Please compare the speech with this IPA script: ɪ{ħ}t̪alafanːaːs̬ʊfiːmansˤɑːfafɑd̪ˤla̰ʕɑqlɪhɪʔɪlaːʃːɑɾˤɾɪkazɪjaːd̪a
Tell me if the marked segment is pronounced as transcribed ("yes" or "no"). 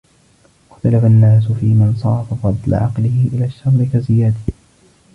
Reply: no